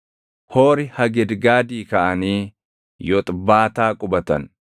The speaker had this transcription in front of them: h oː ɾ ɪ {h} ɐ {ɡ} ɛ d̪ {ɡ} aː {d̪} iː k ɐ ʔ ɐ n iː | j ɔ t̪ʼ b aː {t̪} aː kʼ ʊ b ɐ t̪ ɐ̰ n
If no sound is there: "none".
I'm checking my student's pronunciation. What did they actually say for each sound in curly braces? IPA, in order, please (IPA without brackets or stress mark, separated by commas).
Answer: h, ɡ, ɡ, d̪, t̪